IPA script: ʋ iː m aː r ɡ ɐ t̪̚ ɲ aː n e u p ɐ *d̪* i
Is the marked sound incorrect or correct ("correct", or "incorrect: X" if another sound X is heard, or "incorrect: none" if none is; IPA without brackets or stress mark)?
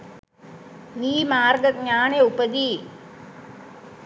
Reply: correct